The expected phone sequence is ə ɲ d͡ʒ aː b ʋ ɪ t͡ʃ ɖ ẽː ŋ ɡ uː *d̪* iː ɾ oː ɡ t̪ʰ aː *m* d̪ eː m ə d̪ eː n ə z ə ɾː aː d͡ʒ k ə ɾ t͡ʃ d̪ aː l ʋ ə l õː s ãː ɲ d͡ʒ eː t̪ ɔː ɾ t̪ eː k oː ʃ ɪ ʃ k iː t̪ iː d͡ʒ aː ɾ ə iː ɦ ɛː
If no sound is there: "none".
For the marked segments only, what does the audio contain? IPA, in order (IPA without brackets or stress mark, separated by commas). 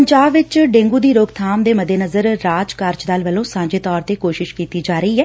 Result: d̪, m